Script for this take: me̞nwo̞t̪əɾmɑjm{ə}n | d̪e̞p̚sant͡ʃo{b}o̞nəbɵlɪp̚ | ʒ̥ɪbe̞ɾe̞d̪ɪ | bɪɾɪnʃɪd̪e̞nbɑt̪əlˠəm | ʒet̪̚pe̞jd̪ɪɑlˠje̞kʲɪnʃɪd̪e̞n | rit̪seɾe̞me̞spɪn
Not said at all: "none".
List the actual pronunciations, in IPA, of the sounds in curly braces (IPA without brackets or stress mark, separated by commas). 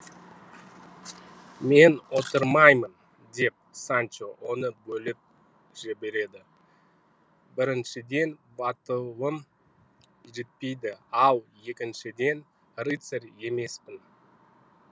ə, w